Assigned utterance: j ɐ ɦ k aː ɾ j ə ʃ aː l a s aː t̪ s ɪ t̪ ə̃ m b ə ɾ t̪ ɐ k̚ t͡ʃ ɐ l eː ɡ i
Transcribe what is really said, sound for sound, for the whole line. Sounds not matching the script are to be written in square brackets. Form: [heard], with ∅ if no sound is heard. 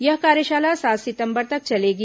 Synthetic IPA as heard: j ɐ ɦ k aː ɾ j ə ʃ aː l a s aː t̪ s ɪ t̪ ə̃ m b ə ɾ t̪ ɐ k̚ t͡ʃ ɐ l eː ɡ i